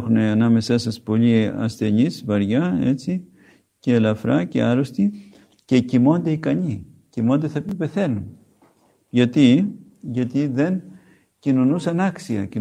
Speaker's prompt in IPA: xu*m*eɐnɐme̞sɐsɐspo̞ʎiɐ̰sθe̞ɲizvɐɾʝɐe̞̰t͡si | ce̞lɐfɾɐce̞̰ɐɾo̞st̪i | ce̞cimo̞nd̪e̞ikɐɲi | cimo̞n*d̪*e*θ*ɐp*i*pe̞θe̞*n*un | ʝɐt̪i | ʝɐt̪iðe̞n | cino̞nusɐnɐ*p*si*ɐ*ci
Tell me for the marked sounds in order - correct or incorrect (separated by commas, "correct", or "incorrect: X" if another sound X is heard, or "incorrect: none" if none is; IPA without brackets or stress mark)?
incorrect: n, correct, correct, correct, correct, incorrect: k, correct